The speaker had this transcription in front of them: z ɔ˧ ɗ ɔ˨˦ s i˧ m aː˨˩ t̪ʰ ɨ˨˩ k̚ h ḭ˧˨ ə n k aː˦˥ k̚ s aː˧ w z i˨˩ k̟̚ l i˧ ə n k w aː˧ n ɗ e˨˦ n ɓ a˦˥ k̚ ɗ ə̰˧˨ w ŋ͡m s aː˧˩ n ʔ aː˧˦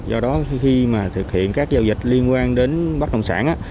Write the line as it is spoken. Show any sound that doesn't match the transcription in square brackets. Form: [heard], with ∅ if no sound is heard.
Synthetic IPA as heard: z ɔ˧ ɗ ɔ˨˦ [x] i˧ m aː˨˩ t̪ʰ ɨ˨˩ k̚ h ḭ˧˨ ə n k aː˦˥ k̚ [z] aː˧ w z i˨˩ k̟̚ l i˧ ə n k w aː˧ n ɗ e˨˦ n ɓ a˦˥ k̚ ɗ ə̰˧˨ w ŋ͡m s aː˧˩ n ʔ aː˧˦

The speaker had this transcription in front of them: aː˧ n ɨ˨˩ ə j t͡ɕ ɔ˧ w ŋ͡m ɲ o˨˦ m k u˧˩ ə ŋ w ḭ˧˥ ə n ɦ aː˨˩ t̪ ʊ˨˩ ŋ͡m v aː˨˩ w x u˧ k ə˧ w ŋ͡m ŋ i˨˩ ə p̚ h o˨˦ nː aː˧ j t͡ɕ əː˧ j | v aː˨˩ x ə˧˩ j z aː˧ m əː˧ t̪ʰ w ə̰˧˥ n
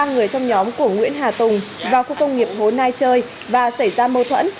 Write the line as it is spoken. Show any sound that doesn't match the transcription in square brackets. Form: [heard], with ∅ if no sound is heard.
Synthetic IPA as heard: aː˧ [ŋ] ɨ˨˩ ə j t͡ɕ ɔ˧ w ŋ͡m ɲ [ɔ˨˦] m k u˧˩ ə ŋ w ḭ˧˥ ə n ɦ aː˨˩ t̪ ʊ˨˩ ŋ͡m v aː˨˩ w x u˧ k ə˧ w ŋ͡m ŋ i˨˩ ə p̚ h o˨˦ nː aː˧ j t͡ɕ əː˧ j | v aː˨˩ [s] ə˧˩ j z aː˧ m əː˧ t̪ʰ w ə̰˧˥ n

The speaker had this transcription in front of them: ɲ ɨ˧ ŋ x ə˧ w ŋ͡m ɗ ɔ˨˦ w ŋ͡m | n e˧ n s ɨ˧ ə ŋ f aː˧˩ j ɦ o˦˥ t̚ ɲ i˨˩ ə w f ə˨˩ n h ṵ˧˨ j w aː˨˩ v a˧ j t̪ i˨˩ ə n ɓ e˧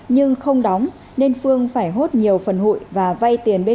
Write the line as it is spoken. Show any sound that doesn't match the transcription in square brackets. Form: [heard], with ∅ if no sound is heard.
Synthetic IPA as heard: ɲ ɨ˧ ŋ x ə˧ w ŋ͡m ɗ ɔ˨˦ w ŋ͡m | n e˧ n [f] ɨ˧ ə ŋ f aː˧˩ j ɦ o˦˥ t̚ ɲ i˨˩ ə w f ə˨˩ n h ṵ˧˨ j [v] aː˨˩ v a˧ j t̪ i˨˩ ə n ɓ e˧

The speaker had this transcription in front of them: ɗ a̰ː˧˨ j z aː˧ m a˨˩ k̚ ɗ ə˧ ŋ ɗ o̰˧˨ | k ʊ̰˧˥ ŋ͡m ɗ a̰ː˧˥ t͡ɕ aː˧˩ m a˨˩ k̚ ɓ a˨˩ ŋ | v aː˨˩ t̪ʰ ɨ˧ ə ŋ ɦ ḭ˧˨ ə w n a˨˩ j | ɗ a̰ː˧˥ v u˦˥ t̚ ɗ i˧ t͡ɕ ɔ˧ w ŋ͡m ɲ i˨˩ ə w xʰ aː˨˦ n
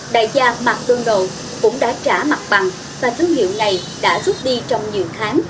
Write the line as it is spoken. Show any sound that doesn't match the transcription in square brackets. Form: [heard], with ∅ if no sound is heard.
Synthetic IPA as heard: ɗ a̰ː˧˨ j z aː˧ m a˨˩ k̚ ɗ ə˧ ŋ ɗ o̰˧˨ | k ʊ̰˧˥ ŋ͡m ɗ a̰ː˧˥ t͡ɕ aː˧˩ m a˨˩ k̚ ɓ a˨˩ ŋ | v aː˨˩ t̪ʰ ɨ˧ ə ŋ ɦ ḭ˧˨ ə w n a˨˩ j | ɗ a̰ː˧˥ [z] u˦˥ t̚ ɗ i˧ t͡ɕ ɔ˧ w ŋ͡m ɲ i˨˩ ə w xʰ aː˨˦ [ŋ]

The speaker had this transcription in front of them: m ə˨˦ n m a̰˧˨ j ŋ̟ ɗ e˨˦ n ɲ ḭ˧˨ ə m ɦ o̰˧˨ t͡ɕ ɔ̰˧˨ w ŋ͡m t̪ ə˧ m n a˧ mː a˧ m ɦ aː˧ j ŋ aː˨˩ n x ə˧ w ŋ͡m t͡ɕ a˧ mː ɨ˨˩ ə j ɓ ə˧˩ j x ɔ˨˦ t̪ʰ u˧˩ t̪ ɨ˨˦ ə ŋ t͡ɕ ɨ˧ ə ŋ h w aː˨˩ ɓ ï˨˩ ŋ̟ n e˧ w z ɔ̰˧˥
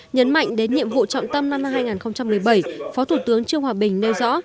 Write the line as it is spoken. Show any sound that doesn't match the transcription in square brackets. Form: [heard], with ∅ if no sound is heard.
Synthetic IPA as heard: [ɲ] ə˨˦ n m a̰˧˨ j ŋ̟ ɗ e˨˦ n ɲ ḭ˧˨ ə m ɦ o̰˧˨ t͡ɕ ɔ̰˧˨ w ŋ͡m t̪ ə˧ m n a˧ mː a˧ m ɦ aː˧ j ŋ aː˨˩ n x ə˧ w ŋ͡m t͡ɕ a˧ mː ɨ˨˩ ə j ɓ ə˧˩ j [f] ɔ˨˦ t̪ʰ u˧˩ t̪ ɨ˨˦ ə ŋ t͡ɕ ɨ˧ ə ŋ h w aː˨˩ ɓ ï˨˩ ŋ̟ n e˧ w z ɔ̰˧˥

